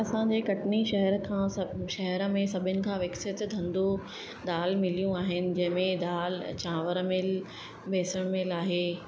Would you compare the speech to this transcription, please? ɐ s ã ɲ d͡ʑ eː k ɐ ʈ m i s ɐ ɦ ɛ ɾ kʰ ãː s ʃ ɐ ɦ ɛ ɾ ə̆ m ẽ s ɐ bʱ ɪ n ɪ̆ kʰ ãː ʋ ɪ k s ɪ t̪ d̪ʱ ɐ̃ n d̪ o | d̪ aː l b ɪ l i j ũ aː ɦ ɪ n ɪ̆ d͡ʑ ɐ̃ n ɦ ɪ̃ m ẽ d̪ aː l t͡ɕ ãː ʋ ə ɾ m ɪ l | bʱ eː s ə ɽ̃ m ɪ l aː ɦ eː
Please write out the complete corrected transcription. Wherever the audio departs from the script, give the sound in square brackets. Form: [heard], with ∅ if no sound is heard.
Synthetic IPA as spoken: ɐ s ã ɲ d͡ʑ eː k ɐ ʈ [n] i [ʃ] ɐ ɦ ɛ ɾ kʰ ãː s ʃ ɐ ɦ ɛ ɾ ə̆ m ẽ s ɐ bʱ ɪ n ɪ̆ kʰ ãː ʋ ɪ k s ɪ t̪ d̪ʱ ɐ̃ n d̪ o | d̪ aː l [m] ɪ l i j ũ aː ɦ ɪ n ɪ̆ d͡ʑ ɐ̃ [∅] ɦ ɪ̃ m ẽ d̪ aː l t͡ɕ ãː ʋ ə ɾ m ɪ l | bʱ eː s ə ɽ̃ m ɪ l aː ɦ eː